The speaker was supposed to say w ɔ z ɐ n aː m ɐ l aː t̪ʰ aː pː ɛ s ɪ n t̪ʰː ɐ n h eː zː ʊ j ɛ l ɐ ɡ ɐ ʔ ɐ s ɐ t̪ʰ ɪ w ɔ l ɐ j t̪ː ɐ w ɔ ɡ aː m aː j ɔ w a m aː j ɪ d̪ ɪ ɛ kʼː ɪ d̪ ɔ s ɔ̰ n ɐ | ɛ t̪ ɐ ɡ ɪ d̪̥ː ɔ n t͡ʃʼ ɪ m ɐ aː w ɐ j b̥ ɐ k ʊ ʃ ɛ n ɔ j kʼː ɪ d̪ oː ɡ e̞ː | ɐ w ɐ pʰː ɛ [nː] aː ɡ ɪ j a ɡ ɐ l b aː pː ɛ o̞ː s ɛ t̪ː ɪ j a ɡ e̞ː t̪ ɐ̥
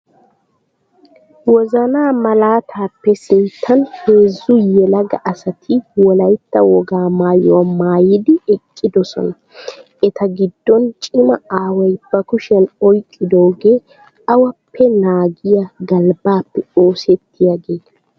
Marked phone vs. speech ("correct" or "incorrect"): incorrect